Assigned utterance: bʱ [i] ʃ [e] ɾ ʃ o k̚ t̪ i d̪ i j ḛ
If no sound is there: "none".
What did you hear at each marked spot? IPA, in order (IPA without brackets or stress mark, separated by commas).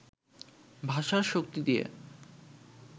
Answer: a, a